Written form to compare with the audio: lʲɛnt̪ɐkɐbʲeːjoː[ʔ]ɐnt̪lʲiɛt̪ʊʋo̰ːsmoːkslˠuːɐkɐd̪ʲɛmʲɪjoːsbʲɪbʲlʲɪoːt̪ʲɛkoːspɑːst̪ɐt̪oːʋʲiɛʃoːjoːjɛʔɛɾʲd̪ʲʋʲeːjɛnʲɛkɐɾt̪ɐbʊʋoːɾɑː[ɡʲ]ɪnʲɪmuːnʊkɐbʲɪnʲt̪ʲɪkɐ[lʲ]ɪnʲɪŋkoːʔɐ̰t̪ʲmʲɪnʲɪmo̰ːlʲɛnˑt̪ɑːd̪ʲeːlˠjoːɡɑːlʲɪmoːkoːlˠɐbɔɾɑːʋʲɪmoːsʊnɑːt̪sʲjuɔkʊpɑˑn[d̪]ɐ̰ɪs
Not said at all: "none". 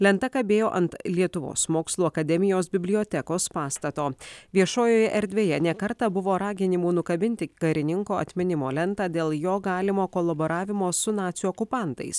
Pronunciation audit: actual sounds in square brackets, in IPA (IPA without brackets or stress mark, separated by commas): ʔ, ɡʲ, ɾʲ, t̪